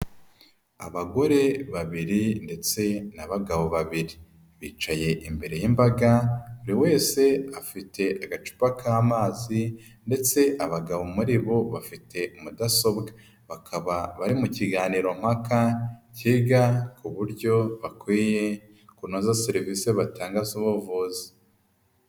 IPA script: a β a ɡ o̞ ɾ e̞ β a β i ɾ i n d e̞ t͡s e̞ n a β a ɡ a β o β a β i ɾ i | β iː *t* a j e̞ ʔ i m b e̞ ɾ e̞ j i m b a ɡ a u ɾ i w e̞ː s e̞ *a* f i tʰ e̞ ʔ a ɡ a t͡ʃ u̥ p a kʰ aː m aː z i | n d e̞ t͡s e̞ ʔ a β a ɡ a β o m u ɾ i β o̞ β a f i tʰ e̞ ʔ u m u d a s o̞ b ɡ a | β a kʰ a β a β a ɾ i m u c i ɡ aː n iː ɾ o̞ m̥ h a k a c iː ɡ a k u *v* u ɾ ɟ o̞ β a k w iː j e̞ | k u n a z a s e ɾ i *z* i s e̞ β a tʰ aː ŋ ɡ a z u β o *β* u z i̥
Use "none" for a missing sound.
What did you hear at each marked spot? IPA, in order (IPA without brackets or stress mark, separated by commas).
t͡ʃ, a, β, v, v